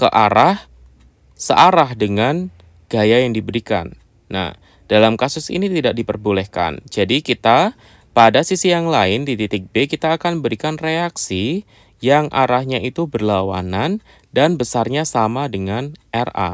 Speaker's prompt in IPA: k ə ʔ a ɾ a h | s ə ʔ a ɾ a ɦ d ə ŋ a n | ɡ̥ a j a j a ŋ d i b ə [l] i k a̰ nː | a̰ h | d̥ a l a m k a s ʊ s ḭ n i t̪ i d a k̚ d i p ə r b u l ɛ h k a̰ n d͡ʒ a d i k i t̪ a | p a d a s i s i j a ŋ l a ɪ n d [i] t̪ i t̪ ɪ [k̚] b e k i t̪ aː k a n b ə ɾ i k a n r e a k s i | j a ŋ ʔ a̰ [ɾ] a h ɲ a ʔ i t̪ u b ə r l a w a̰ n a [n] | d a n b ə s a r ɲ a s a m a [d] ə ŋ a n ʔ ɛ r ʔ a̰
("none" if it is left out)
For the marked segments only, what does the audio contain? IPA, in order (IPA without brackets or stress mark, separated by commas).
ɾ, i, k̚, ɾ, n, d